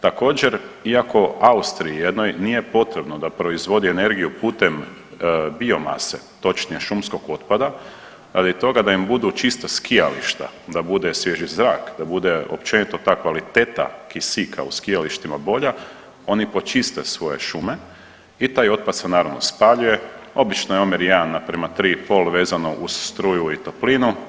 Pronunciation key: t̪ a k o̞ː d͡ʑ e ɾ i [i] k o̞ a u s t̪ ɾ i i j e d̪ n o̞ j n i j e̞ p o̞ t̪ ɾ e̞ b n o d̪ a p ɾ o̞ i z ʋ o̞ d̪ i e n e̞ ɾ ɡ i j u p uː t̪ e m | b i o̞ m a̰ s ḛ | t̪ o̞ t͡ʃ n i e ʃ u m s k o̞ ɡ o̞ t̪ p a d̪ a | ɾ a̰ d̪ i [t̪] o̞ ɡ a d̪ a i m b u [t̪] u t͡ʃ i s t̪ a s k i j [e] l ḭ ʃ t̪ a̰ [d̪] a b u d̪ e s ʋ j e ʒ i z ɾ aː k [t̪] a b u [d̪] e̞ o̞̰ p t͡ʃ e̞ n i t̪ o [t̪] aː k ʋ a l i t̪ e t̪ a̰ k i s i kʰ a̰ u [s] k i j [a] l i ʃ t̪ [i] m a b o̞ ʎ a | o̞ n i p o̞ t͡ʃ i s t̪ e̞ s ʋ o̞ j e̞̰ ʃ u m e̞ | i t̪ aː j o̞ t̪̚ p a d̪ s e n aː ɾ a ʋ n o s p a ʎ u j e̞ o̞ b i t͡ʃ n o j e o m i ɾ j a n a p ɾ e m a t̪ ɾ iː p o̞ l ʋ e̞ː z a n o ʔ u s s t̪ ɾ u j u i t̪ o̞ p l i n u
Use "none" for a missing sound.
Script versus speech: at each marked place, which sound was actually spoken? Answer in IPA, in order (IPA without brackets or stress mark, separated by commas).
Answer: a, t̪, d̪, a, d̪, d̪, d̪, t̪, s, a, i